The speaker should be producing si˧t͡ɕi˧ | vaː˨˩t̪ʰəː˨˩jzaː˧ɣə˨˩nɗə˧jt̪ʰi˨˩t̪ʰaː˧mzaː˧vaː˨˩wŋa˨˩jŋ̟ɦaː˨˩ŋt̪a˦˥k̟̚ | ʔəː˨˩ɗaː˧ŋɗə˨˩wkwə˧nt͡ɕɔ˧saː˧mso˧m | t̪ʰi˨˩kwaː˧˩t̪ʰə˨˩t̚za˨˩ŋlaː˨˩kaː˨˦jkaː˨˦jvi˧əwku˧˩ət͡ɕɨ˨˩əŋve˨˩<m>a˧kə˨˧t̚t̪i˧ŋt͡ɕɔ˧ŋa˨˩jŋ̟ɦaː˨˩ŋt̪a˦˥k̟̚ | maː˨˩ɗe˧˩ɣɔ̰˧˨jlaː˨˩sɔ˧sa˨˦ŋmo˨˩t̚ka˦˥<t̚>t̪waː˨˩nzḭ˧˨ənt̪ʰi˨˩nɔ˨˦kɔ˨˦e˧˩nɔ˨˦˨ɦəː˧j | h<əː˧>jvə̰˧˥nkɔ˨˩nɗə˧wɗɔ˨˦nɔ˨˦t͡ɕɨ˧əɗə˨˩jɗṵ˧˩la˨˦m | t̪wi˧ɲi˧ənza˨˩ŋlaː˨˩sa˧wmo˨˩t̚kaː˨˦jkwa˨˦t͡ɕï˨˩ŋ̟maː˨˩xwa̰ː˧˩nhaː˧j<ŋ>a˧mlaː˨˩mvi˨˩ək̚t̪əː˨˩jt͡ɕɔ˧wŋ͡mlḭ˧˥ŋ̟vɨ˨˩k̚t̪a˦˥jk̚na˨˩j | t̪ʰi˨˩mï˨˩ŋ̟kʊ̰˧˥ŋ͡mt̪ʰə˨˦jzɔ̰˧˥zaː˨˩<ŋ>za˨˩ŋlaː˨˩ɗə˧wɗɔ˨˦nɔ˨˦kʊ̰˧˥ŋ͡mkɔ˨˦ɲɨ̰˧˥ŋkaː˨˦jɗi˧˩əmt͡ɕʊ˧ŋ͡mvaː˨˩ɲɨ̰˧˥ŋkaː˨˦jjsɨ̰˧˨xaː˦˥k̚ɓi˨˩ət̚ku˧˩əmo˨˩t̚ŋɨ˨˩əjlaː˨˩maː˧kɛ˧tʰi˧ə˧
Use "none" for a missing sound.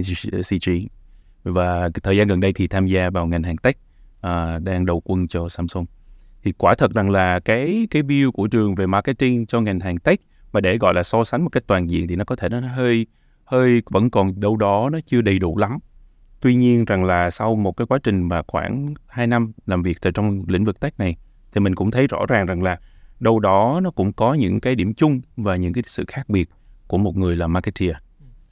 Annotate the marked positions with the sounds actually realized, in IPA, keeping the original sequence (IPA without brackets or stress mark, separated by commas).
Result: m, k̚, əː˧, n, ŋ